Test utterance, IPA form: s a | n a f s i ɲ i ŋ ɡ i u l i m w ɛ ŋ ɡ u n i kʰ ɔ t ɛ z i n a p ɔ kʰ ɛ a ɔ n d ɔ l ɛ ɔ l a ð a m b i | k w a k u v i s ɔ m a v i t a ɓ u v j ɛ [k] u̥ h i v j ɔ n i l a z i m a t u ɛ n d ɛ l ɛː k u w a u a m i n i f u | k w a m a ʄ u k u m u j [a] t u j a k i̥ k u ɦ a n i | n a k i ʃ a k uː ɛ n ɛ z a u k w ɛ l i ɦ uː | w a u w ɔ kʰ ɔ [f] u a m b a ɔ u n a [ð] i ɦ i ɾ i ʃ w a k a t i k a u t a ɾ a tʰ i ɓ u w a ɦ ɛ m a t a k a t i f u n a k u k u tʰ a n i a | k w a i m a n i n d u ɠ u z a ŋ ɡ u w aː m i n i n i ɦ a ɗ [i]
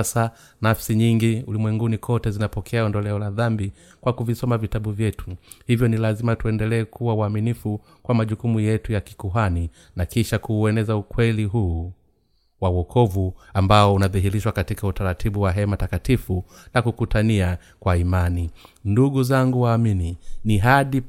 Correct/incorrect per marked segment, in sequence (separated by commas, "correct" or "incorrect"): incorrect, incorrect, incorrect, correct, correct